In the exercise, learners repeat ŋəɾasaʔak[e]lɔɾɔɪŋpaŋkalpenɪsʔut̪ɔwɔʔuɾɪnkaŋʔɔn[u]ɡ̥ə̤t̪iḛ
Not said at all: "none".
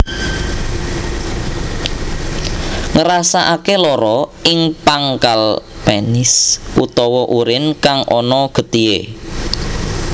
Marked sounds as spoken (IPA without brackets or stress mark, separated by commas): e, ɔ